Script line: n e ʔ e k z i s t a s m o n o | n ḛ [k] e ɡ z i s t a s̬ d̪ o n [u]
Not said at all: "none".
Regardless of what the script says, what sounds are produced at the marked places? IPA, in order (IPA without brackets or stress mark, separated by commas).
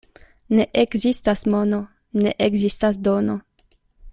ʔ, o